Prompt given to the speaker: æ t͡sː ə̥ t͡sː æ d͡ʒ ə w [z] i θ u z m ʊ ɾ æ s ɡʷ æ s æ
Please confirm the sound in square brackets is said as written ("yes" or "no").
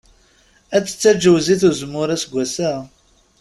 yes